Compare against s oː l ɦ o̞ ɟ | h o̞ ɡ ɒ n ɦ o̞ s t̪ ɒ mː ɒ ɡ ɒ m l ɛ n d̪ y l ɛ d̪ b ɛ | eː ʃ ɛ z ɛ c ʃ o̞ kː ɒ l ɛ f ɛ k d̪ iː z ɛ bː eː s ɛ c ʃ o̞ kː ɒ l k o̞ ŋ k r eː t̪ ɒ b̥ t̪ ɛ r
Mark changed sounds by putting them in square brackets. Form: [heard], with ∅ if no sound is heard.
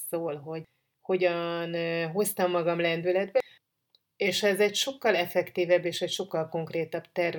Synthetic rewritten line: s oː l ɦ o̞ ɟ | h o̞ [ɟ] ɒ n ɦ o̞ s t̪ ɒ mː ɒ ɡ ɒ m l ɛ n d̪ y l ɛ d̪ b ɛ | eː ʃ ɛ z ɛ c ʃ o̞ kː ɒ l ɛ f ɛ k [t̪] iː [v] ɛ bː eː [ʃ] ɛ c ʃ o̞ kː ɒ l k o̞ ŋ k r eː t̪ ɒ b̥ t̪ ɛ r